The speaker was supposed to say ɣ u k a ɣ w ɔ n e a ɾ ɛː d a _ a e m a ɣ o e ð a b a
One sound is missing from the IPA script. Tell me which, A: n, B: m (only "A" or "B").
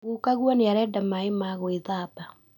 B